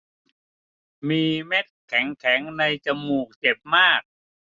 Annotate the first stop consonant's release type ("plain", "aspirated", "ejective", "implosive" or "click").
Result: plain